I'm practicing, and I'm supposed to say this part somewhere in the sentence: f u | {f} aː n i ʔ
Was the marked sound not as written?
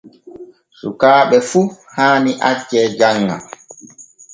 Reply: yes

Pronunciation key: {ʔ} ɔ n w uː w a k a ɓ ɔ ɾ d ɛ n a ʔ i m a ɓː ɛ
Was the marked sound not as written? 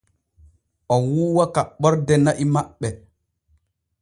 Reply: no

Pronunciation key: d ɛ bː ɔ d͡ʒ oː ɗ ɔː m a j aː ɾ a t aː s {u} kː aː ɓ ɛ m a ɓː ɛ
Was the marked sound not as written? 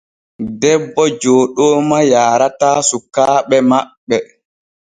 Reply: no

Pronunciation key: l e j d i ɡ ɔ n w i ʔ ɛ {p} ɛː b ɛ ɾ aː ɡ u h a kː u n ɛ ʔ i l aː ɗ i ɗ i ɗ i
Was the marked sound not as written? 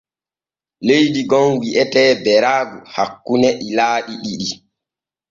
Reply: yes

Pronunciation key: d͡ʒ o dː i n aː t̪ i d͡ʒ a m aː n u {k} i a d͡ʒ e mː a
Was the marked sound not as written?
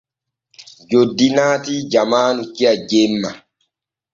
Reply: no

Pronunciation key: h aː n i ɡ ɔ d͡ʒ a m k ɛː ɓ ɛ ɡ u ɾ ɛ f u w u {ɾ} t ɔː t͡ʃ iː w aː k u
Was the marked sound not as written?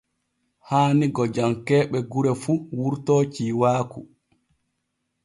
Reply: no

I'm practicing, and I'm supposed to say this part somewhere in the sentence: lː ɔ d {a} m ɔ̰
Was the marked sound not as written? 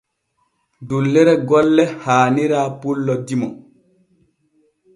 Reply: yes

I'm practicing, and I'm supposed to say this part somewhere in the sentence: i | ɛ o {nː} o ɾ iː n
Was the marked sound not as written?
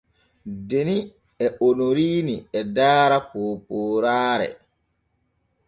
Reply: yes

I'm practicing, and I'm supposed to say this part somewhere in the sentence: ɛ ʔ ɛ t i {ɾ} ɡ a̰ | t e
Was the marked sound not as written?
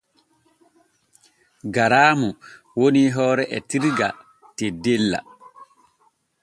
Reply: no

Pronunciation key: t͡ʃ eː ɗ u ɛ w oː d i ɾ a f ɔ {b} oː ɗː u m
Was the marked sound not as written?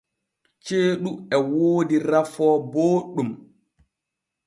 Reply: no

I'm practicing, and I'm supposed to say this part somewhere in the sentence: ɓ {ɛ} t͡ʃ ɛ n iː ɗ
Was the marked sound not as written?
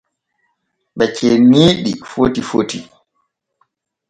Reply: no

